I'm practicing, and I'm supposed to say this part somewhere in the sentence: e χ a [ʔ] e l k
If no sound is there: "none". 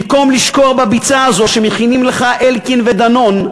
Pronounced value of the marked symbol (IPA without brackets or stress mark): ʔ